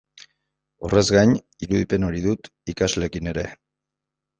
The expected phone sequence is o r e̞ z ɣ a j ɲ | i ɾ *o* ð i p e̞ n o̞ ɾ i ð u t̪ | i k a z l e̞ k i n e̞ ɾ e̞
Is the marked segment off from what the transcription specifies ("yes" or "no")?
yes